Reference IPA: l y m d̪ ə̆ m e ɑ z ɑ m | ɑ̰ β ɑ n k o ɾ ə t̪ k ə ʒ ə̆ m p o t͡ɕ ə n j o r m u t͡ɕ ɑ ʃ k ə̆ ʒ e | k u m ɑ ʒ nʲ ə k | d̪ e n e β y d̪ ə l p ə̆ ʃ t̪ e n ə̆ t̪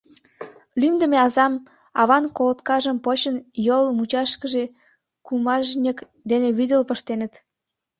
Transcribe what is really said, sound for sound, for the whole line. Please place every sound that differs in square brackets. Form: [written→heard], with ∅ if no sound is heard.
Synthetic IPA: l y m d̪ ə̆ m e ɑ z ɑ m | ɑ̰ β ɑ n k o [ɾ→l] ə t̪ k [ə→ɑ] ʒ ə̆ m p o t͡ɕ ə n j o [r→l] m u t͡ɕ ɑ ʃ k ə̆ ʒ e | k u m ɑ ʒ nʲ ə k | d̪ e n e β y d̪ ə l p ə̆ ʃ t̪ e n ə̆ t̪